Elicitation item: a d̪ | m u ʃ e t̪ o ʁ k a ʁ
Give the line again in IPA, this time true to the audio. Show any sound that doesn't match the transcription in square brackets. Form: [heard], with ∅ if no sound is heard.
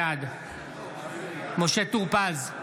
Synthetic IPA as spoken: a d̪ | m [o] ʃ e t̪ [u] ʁ [p] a [z]